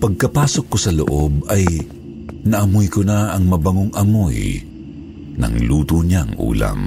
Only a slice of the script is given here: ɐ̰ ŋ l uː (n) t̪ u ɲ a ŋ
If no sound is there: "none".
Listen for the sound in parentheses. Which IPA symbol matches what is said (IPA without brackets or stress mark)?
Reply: none